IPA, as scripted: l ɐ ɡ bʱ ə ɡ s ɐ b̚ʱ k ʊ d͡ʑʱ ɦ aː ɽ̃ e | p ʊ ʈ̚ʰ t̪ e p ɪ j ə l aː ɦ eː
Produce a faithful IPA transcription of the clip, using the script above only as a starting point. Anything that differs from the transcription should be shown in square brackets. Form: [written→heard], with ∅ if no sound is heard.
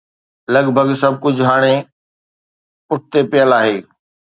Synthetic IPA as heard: l ɐ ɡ bʱ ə ɡ s ɐ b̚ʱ k ʊ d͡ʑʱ ɦ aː ɽ̃ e | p ʊ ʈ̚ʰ t̪ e p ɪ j ə l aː ɦ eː